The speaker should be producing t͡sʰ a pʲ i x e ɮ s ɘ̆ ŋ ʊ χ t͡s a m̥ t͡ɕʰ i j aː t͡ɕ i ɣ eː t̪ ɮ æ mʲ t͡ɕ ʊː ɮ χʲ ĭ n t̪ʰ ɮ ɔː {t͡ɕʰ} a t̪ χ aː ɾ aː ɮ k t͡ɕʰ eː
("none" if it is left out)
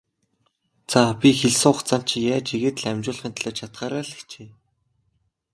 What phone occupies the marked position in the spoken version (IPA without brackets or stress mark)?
t͡ɕʰ